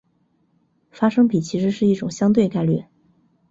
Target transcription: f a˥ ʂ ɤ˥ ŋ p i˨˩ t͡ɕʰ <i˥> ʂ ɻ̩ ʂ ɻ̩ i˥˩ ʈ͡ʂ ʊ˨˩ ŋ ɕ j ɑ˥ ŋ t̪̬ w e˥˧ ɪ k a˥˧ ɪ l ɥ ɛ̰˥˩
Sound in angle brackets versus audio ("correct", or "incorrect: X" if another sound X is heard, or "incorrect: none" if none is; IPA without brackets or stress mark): incorrect: i˧˥